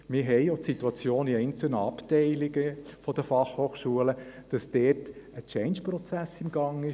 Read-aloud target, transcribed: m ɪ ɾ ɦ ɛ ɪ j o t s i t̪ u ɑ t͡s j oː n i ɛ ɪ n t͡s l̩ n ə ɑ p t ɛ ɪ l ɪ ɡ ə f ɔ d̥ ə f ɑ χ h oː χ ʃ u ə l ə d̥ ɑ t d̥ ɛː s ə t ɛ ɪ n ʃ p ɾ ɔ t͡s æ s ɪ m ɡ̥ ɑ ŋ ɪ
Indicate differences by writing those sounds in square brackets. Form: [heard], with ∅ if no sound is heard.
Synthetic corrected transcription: m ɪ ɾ ɦ ɛ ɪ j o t s i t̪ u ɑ t͡s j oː n i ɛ ɪ n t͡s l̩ n ə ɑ p t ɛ ɪ l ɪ ɡ ə f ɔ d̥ ə f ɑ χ h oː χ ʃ u ə l ə d̥ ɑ [s] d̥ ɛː [t] ə [t͡ʃ] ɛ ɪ n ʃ p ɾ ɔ t͡s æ s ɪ m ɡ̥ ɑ ŋ ɪ